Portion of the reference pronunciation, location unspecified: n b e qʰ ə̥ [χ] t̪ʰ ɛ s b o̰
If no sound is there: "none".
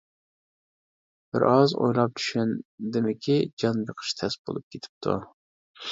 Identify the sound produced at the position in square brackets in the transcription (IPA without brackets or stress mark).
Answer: ʃ